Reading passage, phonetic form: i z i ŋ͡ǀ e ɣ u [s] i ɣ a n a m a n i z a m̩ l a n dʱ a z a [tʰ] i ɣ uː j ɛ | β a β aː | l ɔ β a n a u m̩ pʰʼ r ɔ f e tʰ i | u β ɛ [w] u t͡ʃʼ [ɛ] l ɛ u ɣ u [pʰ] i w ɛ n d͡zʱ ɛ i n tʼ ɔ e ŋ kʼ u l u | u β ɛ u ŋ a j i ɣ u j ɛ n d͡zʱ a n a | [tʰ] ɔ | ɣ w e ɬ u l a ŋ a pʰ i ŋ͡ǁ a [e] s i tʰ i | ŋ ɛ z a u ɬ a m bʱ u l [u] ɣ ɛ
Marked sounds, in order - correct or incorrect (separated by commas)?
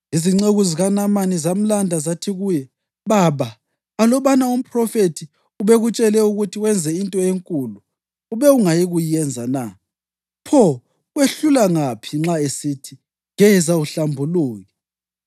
incorrect, correct, incorrect, correct, incorrect, incorrect, correct, incorrect